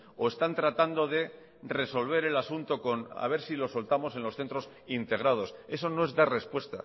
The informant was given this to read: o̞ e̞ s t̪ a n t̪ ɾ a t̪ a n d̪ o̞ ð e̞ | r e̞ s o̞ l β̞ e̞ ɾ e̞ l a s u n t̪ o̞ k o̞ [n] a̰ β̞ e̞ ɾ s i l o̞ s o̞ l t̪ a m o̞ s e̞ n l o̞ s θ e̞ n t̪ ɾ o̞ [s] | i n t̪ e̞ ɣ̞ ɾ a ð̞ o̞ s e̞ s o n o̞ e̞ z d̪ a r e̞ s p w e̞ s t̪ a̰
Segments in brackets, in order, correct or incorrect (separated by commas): correct, correct